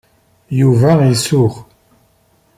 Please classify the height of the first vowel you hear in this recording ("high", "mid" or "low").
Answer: high